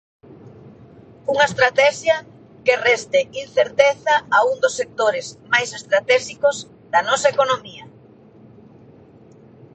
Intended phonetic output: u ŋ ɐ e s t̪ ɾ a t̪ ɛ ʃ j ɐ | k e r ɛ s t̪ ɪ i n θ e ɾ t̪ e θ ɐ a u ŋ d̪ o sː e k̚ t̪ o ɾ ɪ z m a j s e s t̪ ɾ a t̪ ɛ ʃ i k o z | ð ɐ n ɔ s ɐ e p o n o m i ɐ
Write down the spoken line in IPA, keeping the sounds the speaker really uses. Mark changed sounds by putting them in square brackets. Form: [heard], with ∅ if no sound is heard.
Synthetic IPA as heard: u ŋ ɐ e s t̪ ɾ a t̪ ɛ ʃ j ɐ | k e r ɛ s t̪ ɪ i n θ e ɾ t̪ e θ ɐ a u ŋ d̪ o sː e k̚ t̪ o ɾ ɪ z m a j s e s t̪ ɾ a t̪ ɛ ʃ i k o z | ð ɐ n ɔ s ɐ e [k] o n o m i ɐ